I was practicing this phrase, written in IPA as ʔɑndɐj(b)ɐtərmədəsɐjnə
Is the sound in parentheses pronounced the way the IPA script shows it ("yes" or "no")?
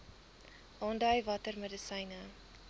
no